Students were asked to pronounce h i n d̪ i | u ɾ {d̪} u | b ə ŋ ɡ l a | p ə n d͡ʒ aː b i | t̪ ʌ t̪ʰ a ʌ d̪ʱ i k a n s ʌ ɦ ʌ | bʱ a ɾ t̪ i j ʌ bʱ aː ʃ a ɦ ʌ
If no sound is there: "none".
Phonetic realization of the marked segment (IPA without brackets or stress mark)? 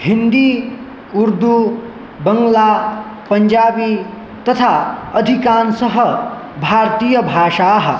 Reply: d̪